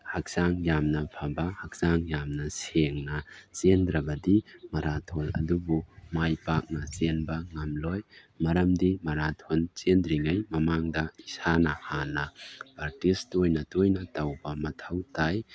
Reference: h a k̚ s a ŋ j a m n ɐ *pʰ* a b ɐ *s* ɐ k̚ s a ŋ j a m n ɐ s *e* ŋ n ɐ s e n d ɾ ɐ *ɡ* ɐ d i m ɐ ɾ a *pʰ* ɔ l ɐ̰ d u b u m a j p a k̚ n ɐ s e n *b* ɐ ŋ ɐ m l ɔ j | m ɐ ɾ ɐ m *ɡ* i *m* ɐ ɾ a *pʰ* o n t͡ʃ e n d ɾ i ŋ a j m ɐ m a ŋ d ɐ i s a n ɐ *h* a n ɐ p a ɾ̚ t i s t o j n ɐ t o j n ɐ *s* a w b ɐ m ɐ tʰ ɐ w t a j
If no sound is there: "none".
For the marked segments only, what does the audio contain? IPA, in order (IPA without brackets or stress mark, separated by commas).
pʰ, h, e, b, tʰ, b, d, m, tʰ, h, t